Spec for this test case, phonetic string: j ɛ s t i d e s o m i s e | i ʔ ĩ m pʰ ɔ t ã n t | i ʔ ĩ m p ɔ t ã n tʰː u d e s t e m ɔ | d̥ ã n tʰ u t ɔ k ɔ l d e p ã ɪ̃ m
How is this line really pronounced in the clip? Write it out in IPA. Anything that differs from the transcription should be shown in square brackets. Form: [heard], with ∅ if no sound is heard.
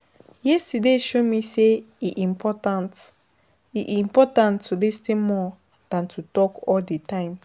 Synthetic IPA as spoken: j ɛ s t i d e [ʃ] o m i s e | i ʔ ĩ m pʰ ɔ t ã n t | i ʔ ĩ m p ɔ t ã n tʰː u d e s t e m ɔ | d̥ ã n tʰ u t ɔ k ɔ l d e [t] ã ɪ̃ m